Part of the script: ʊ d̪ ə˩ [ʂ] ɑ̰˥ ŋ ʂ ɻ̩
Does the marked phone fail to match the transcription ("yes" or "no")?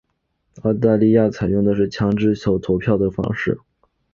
yes